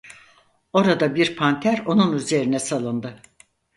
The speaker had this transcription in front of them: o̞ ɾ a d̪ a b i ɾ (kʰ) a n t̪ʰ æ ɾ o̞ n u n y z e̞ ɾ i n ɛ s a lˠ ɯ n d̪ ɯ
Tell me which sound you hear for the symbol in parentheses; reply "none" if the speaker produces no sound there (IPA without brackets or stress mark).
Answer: pʰ